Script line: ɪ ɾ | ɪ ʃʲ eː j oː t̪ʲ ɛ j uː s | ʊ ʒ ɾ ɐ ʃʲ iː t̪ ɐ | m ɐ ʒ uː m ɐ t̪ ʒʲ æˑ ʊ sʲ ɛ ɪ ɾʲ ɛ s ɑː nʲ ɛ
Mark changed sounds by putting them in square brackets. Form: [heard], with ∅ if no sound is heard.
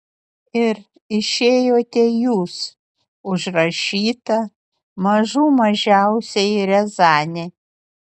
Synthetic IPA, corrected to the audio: ɪ ɾ | ɪ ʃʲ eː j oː t̪ʲ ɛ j uː s | ʊ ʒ ɾ ɐ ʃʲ iː t̪ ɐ | m ɐ ʒ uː m ɐ [∅] ʒʲ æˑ ʊ sʲ ɛ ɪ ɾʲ ɛ [z] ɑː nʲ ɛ